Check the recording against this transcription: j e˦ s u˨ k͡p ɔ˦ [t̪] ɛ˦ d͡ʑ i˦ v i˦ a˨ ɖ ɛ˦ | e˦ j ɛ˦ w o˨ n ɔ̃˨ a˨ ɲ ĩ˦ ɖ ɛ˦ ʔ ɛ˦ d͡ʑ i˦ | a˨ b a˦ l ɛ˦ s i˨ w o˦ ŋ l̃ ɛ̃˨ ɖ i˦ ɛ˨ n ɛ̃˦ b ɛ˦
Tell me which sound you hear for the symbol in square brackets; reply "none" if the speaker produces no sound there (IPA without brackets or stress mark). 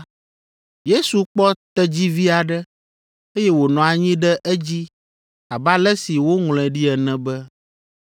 t̪